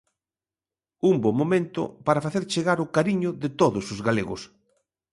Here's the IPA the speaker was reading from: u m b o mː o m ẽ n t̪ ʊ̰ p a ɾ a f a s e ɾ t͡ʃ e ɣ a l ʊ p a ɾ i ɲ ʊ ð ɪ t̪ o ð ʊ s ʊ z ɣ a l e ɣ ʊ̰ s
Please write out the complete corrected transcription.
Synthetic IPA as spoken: u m b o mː o m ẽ n t̪ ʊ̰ p a ɾ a f a θ e ɾ t͡ʃ e ɣ a ɾ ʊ k a ɾ i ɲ ʊ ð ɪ t̪ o ð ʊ s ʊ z ɣ a l e ɣ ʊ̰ s

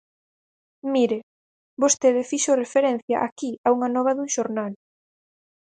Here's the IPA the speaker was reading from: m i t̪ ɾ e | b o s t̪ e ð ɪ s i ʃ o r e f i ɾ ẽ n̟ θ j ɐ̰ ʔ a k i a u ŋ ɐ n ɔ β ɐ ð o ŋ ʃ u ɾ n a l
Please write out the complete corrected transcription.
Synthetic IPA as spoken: m i ɾ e | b o s t̪ e ð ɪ f i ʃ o r e f e ɾ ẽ n̟ θ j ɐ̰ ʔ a k i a u ŋ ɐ n ɔ β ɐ ð u ŋ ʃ o ɾ n a l

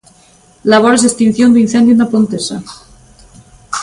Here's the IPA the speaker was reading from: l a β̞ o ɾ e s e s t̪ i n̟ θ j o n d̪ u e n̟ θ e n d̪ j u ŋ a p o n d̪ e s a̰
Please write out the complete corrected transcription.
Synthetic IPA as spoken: l a β̞ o ɾ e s e s t̪ i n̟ θ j o n d̪ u i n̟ θ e n d̪ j u n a p o n t̪ e s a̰

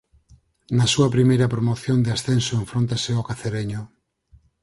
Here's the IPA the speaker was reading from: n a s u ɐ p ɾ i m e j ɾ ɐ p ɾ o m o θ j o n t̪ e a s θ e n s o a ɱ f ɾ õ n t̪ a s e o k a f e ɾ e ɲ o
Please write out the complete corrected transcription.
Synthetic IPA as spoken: n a s u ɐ p ɾ i m e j ɾ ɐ p ɾ o m o θ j o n d̪ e a s θ e n s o e ɱ f ɾ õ n t̪ a s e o k a θ e ɾ e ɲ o

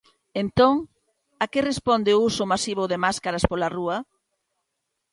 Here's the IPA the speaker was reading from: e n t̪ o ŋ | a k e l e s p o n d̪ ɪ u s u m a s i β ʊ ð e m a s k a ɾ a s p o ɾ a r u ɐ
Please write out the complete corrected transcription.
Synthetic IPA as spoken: e n t̪ o ŋ | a k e r e s p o n d̪ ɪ u s ʊ m a s i β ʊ ð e m a s k a ɾ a s p o l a r u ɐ

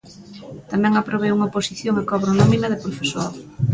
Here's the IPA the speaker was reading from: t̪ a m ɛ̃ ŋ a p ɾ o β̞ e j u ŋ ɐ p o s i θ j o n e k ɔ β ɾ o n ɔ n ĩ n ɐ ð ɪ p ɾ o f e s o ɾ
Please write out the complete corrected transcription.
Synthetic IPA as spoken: t̪ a m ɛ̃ ŋ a p ɾ o β̞ e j u ŋ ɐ p o s i θ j o ŋ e k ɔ β ɾ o n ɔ m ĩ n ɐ ð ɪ p ɾ o f e s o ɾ

